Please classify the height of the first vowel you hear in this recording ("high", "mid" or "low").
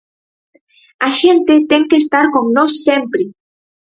low